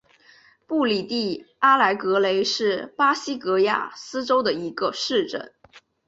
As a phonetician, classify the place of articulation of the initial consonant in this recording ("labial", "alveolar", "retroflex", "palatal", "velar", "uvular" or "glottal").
labial